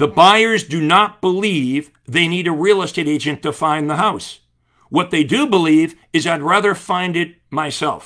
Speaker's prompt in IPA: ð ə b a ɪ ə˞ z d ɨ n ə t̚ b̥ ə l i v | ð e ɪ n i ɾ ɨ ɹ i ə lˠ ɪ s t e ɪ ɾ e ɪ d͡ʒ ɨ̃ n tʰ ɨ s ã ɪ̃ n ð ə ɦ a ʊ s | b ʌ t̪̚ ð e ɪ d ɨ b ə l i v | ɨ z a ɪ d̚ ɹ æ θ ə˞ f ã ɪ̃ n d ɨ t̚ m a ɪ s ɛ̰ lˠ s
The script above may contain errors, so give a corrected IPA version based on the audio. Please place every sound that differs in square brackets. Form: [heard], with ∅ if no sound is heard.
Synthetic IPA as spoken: ð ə b a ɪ ə˞ z d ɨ n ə t̚ b̥ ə l i v | ð e ɪ n i ɾ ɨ ɹ i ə lˠ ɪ s t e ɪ ɾ e ɪ d͡ʒ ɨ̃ n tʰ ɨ [f] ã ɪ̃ n ð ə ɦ a ʊ s | [w] ʌ t̪̚ ð e ɪ d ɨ b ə l i v | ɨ z a ɪ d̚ ɹ æ [ð] ə˞ f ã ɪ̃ n d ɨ t̚ m a ɪ s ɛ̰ lˠ [f]